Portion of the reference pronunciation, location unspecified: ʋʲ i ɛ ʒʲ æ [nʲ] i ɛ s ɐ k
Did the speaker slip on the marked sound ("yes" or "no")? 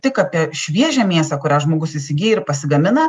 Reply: yes